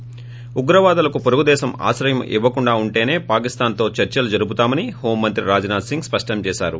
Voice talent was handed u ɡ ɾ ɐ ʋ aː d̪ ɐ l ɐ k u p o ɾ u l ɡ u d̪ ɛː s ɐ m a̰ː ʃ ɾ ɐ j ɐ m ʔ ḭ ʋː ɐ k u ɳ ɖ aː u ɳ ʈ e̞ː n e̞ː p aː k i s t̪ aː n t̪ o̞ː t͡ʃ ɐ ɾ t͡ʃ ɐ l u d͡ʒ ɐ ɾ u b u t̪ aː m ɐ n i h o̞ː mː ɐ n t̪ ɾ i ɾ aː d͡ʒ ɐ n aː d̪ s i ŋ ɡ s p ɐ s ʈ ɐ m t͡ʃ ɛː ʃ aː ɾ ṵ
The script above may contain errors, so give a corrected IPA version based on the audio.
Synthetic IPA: u ɡ ɾ ɐ ʋ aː d̪ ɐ l ɐ k u p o ɾ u ɡ u d̪ ɛː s ɐ m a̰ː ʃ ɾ ɐ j ɐ m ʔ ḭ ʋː ɐ k u ɳ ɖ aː u ɳ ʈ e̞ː n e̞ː p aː k i s t̪ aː n t̪ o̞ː t͡ʃ ɐ ɾ t͡ʃ ɐ l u d͡ʒ ɐ ɾ u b u t̪ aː m ɐ n i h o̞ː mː ɐ n t̪ ɾ i ɾ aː d͡ʒ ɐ n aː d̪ s i ŋ ɡ s p ɐ ʂ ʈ ɐ m t͡ʃ ɛː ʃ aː ɾ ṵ

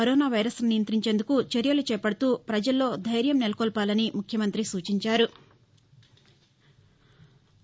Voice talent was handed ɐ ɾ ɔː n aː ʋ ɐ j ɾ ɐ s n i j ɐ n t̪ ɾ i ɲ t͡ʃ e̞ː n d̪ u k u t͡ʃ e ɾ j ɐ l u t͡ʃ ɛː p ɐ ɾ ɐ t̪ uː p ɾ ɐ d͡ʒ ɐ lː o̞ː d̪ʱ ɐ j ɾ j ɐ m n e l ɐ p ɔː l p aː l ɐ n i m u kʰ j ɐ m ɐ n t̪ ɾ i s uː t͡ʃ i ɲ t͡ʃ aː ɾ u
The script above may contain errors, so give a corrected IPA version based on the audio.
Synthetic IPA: ɐ ɾ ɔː n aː ʋ ɐ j ɾ ɐ s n i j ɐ n t̪ ɾ i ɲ t͡ʃ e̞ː n d̪ u k u t͡ʃ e ɾ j ɐ l u t͡ʃ ɛː p ɐ ɽ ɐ t̪ uː p ɾ ɐ d͡ʒ ɐ lː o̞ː d̪ʱ ɐ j ɾ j ɐ m n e l ɐ k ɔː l p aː l ɐ n i m u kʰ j ɐ m ɐ n t̪ ɾ i s uː t͡ʃ i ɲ t͡ʃ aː ɾ u

